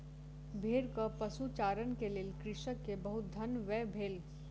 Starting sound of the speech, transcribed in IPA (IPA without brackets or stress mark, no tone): bʱ